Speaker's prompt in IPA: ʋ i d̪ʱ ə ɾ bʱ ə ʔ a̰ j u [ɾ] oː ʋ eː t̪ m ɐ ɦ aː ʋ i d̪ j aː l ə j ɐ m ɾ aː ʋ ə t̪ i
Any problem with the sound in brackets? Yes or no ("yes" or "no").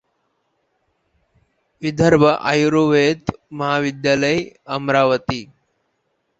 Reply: no